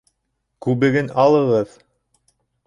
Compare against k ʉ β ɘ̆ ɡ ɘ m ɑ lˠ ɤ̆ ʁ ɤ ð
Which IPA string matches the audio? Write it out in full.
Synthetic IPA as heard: k ʉ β ɘ̆ ɡ ɘ n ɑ lˠ ɤ̆ ʁ ɤ ð